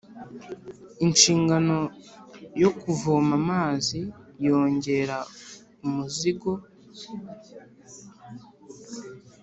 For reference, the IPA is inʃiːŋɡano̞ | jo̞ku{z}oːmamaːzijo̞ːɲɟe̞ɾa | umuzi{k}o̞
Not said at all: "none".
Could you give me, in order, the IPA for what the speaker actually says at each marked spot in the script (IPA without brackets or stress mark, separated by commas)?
v, ɡ